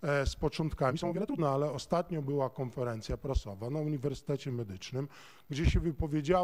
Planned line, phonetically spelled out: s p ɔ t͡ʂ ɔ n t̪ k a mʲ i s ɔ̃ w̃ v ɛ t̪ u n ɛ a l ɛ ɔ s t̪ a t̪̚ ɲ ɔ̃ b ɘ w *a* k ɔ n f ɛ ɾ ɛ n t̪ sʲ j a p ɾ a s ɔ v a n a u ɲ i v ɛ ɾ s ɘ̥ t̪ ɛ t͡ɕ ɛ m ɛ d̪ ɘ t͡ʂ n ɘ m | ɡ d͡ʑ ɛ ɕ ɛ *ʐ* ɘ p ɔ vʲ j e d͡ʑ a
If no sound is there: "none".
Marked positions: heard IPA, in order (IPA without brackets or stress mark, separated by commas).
a, v